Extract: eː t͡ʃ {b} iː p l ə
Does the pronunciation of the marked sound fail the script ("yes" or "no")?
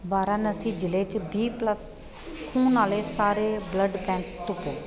no